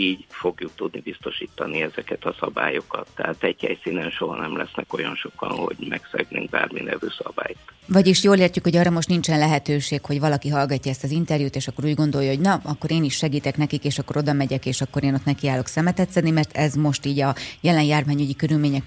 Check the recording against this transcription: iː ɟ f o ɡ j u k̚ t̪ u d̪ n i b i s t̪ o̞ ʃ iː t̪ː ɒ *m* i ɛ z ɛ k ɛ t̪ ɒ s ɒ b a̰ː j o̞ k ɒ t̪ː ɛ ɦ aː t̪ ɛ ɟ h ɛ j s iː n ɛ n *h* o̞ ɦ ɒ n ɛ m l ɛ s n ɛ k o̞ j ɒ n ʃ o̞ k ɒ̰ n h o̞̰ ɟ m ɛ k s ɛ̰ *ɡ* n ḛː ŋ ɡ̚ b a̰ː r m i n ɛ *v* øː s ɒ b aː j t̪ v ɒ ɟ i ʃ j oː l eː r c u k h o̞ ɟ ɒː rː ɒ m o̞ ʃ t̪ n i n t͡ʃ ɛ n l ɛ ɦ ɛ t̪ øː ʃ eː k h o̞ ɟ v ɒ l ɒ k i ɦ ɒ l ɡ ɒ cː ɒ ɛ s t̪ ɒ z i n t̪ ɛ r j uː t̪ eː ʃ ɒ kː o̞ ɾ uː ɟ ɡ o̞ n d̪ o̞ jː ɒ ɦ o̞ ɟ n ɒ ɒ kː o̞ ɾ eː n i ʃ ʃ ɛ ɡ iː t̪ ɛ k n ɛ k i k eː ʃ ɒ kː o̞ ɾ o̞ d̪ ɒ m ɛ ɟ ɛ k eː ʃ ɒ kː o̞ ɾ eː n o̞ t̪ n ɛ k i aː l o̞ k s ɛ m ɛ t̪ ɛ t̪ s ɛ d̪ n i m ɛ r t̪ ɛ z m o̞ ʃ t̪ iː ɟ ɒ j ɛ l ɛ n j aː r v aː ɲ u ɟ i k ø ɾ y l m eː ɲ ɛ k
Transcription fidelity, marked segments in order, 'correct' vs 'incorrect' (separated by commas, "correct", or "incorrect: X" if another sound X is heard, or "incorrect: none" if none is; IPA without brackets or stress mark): incorrect: n, incorrect: ʃ, correct, correct